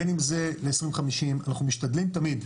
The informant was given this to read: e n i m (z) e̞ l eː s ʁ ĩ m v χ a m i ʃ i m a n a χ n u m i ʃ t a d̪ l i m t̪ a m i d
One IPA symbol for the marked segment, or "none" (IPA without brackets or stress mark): z